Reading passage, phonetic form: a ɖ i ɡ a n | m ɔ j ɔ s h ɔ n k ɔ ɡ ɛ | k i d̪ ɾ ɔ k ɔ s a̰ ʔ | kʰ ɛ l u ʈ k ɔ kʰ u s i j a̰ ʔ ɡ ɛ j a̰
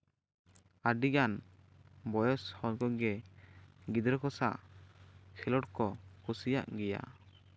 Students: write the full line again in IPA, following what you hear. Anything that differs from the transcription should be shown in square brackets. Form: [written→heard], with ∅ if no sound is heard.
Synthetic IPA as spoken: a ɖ i ɡ a n | [m→b] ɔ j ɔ s h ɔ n k ɔ ɡ ɛ | [k→ɡ] i d̪ ɾ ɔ k ɔ s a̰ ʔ | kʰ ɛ l [u→ɔ] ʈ k ɔ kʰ u s i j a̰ ʔ ɡ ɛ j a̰